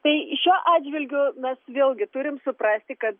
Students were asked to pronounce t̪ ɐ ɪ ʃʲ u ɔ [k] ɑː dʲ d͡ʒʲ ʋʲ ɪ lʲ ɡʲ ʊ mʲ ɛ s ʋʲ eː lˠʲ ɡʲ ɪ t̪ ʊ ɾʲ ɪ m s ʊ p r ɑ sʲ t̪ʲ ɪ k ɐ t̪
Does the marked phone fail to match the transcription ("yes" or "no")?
yes